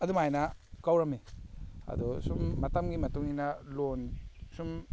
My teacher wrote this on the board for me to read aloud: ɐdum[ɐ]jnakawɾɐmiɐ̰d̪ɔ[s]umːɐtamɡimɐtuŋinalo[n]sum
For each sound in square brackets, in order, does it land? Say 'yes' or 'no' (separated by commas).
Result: no, yes, yes